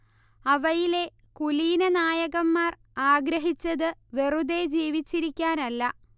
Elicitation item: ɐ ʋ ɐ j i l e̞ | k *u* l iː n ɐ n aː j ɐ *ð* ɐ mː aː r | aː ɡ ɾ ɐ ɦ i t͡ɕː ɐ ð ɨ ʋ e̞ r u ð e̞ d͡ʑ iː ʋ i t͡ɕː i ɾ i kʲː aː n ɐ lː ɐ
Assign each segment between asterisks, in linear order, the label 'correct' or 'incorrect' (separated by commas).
correct, incorrect